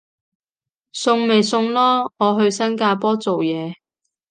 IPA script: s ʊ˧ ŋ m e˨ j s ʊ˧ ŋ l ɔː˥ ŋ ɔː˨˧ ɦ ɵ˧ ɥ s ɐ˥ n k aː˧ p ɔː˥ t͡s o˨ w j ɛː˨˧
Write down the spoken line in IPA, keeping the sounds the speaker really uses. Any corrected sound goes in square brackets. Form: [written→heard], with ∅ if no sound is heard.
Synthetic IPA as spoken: s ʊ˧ ŋ m e˨ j s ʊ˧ ŋ l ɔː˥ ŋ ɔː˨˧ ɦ ɵ˧ ɥ s ɐ˥ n k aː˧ p ɔː˥ t͡s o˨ w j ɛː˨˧